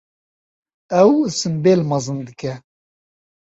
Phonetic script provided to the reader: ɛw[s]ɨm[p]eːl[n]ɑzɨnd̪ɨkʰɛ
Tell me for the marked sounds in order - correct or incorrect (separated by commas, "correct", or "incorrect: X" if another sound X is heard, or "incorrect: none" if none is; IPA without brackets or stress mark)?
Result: correct, incorrect: b, incorrect: m